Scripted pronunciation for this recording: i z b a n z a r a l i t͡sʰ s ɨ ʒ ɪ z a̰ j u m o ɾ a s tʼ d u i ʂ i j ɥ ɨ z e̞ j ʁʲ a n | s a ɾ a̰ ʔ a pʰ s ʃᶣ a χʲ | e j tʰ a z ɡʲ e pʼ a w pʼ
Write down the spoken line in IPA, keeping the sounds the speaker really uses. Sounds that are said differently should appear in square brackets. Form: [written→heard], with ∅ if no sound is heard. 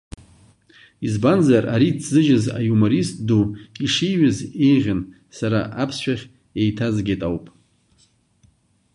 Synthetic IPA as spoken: i z b a n z a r a [l→ɾ] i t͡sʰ [s→z] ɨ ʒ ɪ z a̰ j u m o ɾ [a→i] s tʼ d u i ʂ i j ɥ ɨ z e̞ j ʁʲ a n | s a ɾ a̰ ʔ a pʰ s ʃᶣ a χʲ | e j tʰ a z ɡʲ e [pʼ→tʼ] a w pʼ